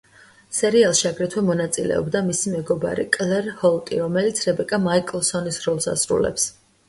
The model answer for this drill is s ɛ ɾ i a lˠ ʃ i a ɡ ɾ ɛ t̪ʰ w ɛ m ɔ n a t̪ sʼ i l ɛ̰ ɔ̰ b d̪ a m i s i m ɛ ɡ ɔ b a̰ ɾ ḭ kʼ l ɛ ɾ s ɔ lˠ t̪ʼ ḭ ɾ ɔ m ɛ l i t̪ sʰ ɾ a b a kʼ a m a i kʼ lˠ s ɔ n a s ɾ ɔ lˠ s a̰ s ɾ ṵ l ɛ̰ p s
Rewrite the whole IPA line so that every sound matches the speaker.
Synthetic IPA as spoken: s ɛ ɾ i a lˠ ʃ i a ɡ ɾ ɛ t̪ʰ w ɛ m ɔ n a t̪ sʼ i l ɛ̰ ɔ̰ b d̪ a m i s i m ɛ ɡ ɔ b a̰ ɾ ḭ kʼ l ɛ ɾ h ɔ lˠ t̪ʼ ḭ ɾ ɔ m ɛ l i t̪ sʰ ɾ ɛ b ɛ kʼ a m a i kʼ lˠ s ɔ n i s ɾ ɔ lˠ s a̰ s ɾ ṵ l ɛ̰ p s